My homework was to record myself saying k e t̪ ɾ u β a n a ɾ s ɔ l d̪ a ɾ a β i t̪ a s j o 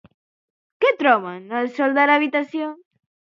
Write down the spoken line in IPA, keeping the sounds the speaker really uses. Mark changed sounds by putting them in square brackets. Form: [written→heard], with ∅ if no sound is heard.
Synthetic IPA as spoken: k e t̪ ɾ [u→ɔ] β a n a [ɾ→l] s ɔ l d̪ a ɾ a β i t̪ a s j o